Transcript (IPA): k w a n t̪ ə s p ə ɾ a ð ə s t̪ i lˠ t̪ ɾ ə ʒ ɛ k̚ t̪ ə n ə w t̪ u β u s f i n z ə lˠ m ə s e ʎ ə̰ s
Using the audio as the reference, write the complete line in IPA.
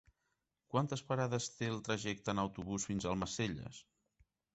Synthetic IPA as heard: k w a n t̪ ə s p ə ɾ a ð ə s t̪ e lˠ t̪ ɾ ə ʒ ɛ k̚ t̪ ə n ə w t̪ u β u s f i n z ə lˠ m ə s e ʎ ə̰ s